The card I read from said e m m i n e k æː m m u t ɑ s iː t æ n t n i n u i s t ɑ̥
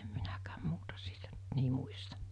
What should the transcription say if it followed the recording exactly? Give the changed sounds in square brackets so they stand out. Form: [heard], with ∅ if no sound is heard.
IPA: e m m i n [æ] k æː m m [uː] t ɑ s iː t æ n t n i [m] u i s t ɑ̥